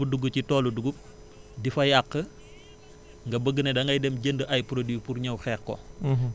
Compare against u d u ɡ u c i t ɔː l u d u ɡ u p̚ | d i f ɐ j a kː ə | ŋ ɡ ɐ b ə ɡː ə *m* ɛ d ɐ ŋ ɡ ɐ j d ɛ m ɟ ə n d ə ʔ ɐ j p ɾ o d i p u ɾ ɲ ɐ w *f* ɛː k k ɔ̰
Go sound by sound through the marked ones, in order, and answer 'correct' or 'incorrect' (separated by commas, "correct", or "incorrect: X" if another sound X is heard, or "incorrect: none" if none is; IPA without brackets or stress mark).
incorrect: n, incorrect: x